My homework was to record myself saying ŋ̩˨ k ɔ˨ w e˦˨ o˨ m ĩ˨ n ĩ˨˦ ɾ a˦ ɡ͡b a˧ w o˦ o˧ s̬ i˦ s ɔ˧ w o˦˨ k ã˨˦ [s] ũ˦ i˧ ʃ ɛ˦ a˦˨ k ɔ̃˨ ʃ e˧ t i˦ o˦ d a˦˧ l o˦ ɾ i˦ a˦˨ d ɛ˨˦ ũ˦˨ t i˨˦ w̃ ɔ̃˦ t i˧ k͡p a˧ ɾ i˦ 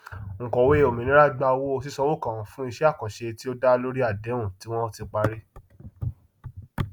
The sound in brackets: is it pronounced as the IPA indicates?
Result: no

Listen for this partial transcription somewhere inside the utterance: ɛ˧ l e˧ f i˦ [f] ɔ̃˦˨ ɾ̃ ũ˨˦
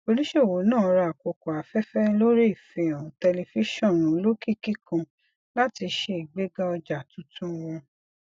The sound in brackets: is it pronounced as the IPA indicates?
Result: no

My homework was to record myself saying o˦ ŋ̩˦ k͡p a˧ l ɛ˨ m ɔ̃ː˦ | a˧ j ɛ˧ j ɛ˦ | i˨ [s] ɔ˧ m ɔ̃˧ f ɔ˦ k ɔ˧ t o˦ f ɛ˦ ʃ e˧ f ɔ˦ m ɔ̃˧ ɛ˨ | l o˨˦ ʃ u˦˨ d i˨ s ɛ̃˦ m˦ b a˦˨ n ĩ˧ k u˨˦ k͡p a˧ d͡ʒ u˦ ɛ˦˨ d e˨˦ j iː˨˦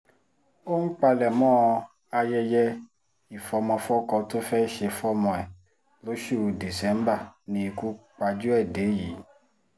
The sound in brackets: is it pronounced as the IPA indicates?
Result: no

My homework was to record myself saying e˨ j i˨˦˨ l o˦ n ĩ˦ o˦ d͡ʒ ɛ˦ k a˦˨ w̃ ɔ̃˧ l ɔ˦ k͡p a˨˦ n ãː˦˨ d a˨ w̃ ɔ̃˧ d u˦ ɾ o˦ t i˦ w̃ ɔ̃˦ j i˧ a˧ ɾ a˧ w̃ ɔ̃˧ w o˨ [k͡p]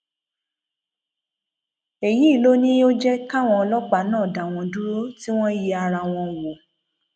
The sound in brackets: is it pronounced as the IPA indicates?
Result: no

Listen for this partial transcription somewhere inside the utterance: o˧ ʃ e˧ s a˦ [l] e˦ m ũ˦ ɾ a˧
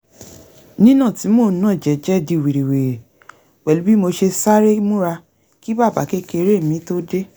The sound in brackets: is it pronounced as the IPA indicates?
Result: no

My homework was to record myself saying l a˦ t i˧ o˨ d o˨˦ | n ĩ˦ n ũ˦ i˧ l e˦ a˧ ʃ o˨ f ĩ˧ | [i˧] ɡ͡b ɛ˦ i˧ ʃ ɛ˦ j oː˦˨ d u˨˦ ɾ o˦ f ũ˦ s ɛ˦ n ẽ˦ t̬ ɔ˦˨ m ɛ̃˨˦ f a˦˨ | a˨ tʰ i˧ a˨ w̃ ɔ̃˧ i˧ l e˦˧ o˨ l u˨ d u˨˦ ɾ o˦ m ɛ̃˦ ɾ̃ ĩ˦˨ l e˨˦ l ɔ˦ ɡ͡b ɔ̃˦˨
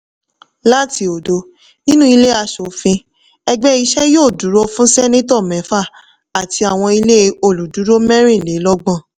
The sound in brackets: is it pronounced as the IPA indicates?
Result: no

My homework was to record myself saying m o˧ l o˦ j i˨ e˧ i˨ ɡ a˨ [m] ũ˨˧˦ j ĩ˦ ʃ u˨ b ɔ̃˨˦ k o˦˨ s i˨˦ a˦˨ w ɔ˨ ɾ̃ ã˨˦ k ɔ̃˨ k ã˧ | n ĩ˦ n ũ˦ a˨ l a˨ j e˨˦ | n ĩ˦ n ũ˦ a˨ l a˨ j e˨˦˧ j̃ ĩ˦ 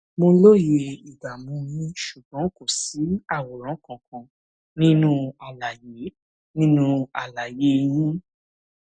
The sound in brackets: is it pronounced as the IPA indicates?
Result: yes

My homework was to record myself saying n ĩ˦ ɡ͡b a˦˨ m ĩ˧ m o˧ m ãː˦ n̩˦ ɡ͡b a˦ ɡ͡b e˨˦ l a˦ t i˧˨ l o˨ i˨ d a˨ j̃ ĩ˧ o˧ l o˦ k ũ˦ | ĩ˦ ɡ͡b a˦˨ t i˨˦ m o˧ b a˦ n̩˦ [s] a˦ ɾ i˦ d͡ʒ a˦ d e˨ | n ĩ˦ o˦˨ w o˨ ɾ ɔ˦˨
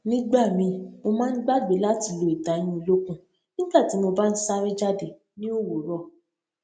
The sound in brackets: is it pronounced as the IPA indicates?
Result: yes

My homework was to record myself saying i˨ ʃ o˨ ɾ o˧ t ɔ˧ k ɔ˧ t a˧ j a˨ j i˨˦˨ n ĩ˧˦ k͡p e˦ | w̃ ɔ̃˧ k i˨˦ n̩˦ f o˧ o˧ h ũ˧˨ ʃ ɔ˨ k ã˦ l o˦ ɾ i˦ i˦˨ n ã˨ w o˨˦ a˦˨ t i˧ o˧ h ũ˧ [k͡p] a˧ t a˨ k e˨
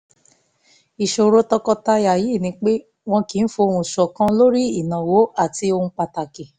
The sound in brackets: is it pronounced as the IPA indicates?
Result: yes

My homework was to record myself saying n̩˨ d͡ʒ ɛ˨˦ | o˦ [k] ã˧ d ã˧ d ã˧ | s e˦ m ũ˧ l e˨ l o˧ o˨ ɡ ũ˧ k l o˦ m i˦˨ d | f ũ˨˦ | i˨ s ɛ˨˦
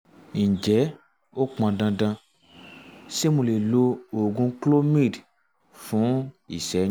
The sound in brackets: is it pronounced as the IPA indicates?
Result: no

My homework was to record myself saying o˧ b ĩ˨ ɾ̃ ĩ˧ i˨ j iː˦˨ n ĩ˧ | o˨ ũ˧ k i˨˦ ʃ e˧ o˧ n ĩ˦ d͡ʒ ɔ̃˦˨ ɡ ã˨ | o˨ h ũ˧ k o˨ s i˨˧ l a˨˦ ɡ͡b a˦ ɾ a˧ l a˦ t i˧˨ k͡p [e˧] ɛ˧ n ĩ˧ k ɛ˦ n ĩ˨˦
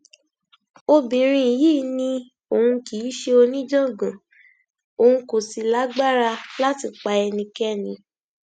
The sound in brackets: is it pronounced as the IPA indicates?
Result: no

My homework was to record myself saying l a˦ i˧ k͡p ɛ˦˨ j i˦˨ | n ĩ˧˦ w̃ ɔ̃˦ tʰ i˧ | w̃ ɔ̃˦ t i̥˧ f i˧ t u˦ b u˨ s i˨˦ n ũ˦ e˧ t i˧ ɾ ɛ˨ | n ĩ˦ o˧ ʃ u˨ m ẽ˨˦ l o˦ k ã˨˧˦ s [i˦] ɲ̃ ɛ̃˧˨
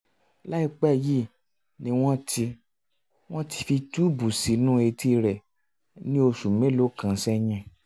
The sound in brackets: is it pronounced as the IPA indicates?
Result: no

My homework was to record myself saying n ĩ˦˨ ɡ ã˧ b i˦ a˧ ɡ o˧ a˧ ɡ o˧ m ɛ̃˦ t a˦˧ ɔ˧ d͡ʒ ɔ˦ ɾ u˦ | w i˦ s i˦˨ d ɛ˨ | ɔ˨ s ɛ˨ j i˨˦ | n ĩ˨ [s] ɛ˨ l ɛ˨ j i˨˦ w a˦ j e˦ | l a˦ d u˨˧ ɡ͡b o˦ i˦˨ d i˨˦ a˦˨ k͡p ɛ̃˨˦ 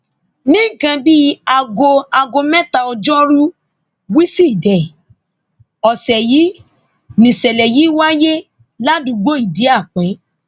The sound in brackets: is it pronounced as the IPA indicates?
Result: yes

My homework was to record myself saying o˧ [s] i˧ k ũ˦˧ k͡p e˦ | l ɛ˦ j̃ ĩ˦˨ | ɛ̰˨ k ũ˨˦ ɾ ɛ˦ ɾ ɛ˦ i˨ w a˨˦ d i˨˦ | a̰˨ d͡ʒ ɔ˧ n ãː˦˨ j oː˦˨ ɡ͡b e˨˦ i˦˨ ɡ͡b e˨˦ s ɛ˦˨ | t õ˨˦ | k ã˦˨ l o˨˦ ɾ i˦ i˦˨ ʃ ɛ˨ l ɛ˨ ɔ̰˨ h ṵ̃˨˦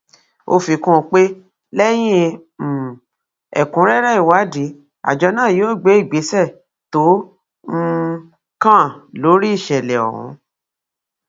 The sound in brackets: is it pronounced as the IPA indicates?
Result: no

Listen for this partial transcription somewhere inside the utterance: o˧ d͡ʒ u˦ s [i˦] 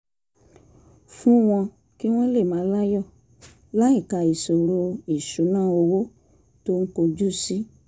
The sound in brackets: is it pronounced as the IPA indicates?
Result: yes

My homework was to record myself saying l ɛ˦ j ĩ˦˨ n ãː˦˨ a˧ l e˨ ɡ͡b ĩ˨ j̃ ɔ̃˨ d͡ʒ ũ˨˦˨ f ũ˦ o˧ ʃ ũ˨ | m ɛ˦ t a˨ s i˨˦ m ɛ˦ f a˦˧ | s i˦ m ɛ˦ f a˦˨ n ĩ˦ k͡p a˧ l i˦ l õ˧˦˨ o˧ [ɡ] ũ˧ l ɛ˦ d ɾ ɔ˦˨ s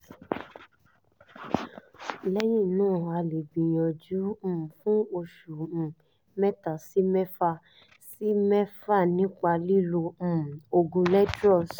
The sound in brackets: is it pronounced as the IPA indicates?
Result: yes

